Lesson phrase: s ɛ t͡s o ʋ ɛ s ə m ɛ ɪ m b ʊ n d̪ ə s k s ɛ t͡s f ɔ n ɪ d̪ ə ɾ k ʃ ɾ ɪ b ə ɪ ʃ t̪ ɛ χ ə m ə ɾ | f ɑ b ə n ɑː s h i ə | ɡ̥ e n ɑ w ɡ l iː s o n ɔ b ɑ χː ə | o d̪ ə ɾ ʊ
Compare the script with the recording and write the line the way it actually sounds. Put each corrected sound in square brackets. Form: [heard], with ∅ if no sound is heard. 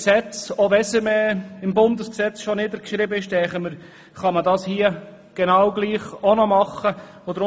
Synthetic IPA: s ɛ t͡s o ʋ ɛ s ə m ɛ ɪ m b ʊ n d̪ ə s k s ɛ t͡s [ʃ] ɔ n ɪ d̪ ə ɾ k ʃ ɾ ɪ b ə ɪ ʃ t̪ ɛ χ ə m ə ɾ | [χ] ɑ [m] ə [d] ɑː s h i ə | ɡ̥ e n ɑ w ɡ l iː [χ] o n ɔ [m] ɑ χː ə | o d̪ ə ɾ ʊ

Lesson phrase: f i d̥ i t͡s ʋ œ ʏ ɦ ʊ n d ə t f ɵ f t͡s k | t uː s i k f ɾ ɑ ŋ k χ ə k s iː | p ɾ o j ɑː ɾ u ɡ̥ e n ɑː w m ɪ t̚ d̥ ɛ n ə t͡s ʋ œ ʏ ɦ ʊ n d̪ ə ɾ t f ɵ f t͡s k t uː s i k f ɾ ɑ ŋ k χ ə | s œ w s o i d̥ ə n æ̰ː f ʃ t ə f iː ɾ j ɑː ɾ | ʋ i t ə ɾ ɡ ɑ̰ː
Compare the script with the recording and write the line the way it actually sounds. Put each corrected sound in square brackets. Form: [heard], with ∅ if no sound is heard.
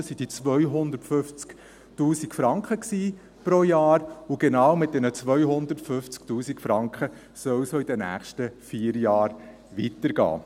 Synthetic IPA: [s] i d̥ i t͡s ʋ œ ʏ ɦ ʊ n d ə t f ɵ f t͡s k | t uː s i k f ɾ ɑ ŋ k χ ə k s iː | p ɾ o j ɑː ɾ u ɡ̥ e n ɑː w m ɪ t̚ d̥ ɛ n ə t͡s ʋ œ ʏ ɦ ʊ n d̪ ə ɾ t f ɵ f t͡s k t uː s i k f ɾ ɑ ŋ k χ ə | s œ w s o i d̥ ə n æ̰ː [χ] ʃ t ə f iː ɾ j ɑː ɾ | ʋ i t ə ɾ ɡ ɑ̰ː

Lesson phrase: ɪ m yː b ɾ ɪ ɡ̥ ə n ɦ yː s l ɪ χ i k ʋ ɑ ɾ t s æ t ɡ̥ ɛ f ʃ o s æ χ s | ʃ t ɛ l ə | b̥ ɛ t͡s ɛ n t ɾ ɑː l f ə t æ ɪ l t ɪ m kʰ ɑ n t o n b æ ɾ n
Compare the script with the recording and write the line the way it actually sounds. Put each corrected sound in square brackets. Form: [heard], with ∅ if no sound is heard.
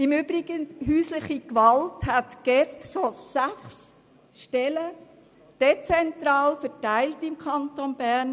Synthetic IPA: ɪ m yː b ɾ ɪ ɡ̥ ə n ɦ yː s l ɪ χ i k ʋ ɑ [l] t [h] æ t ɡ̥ ɛ f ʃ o s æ χ s | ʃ t ɛ l ə | [d̥] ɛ t͡s ɛ n t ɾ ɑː l f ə t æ ɪ l t ɪ m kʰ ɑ n t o n b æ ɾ n

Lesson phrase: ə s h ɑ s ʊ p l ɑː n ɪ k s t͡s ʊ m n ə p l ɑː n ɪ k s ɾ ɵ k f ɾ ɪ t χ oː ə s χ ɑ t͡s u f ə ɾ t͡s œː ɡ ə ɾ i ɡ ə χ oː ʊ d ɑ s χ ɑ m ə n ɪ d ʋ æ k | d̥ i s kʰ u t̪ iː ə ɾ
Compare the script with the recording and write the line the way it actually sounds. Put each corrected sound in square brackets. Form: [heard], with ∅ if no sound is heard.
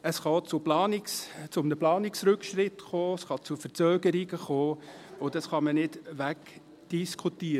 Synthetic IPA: ə s [χ] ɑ [t͡s] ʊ p l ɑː n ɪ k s t͡s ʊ m n ə p l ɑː n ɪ k s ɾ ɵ k [ʃ] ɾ ɪ t χ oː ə s χ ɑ t͡s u f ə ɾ t͡s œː ɡ ə ɾ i ɡ ə χ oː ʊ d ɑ s χ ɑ m ə n ɪ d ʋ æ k | d̥ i s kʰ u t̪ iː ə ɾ

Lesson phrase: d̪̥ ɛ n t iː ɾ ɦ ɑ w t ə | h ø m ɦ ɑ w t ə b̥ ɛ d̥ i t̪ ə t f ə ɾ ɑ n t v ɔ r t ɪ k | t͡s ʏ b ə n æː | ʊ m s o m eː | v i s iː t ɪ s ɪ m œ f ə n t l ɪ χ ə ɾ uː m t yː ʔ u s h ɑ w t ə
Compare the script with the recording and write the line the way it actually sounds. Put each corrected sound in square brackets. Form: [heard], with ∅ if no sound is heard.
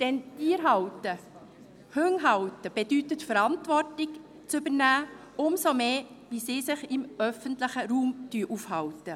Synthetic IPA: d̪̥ ɛ n t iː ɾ ɦ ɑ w t ə | h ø [ŋ] ɦ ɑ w t ə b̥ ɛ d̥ [y] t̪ ə t f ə ɾ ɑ n t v ɔ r t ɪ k | t͡s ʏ b ə n æː | ʊ m s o m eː | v i s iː [s] ɪ [χ] ɪ m œ f ə n t l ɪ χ ə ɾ uː m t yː ʔ u [f] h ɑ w t ə

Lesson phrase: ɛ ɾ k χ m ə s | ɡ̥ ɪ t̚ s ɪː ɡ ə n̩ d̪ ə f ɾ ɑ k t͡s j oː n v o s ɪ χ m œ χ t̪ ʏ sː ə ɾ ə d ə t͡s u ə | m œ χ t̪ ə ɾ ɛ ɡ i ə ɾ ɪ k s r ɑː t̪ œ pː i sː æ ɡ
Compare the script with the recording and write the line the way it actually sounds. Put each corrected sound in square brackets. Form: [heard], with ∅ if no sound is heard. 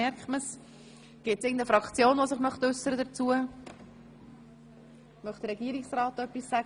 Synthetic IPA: ɛ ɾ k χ m ə s | ɡ̥ ɪ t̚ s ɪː ɡ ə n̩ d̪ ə f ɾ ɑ k t͡s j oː n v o s ɪ χ m œ χ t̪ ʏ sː ə ɾ ə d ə t͡s u ə | m œ χ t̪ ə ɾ ɛ ɡ i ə ɾ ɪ k s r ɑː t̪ œ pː i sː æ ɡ

